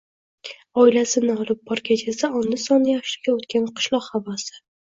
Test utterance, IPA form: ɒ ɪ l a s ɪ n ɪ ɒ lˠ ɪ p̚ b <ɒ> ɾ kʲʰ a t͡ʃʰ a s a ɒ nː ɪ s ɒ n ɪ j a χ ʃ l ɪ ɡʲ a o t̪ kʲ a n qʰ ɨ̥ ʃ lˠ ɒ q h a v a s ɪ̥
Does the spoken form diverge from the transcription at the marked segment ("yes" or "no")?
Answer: no